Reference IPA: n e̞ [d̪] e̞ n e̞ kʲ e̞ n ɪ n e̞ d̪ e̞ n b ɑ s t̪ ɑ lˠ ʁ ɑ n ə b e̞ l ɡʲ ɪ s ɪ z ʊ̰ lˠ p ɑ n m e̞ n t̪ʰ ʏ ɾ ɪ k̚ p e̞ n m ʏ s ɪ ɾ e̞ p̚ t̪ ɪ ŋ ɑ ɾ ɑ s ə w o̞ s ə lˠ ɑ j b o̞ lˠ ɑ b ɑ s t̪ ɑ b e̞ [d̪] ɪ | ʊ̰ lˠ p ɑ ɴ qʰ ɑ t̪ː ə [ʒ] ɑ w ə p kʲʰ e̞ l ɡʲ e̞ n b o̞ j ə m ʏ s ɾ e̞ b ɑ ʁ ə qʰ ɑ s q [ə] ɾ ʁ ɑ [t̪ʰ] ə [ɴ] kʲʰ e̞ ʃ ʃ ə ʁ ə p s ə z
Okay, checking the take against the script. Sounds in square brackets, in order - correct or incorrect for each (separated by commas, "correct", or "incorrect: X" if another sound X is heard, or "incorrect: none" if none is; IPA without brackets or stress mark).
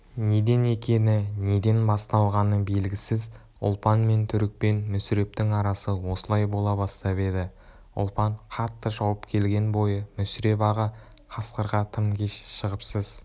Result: correct, correct, correct, correct, correct, incorrect: m